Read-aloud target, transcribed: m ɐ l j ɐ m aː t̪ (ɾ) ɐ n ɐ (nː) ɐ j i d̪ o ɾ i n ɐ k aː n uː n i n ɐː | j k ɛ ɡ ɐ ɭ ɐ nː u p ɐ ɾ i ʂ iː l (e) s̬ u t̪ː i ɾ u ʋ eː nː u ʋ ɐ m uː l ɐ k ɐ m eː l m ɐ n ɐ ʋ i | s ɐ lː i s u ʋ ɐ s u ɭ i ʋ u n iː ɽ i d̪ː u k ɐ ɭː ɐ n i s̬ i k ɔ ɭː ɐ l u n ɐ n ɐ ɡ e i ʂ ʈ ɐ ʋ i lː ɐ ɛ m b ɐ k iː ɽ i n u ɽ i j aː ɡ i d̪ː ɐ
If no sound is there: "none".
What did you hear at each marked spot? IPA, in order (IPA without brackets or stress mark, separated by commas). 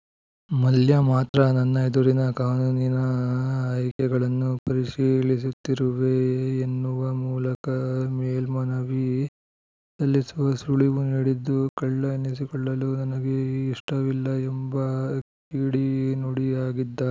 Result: ɾ, nː, i